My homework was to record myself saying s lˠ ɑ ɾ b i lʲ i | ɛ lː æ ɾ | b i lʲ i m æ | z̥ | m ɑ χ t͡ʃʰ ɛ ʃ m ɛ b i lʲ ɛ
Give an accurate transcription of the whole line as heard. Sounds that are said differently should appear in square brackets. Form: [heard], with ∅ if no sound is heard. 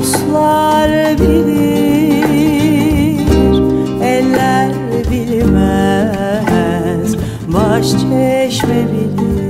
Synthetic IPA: s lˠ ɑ ɾ b i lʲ i | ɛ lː æ ɾ | b i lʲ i m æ | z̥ | [b] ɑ [ʃ] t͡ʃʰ ɛ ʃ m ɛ b i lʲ [i]